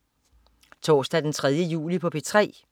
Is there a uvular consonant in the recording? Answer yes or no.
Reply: yes